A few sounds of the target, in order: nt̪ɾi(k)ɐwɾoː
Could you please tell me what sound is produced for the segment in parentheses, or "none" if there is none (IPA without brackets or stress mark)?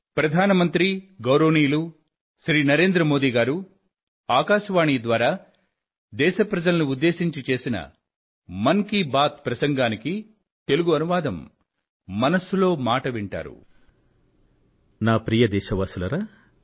ɡ